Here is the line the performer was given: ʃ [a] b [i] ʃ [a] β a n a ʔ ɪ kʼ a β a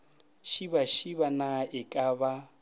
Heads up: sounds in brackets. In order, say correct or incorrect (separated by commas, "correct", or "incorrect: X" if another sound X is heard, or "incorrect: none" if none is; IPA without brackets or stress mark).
incorrect: i, incorrect: a, incorrect: i